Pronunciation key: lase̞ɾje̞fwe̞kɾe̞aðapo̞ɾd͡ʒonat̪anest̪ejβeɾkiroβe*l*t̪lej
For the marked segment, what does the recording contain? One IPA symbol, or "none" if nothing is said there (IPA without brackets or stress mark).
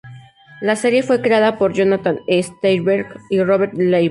ɾ